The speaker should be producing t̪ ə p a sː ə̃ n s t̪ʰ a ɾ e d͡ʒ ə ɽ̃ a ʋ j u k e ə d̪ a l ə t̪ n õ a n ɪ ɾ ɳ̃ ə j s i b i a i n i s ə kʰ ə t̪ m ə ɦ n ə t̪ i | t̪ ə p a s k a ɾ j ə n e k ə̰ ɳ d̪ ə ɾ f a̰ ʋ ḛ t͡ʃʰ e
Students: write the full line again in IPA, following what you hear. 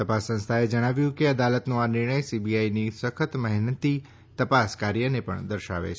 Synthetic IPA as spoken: t̪ ə p a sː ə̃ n s t̪ʰ a e d͡ʒ ə ɽ̃ a ʋ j ũ k e ə d̪ a l ə t̪ n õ a n ɪ ɾ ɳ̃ ə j s i b i a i n i s ə kʰ ə t̪ m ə ɦ n ə t̪ i | t̪ ə p a s k a ɾ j ə n e p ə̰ ɳ d̪ ə ɾ ʃ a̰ ʋ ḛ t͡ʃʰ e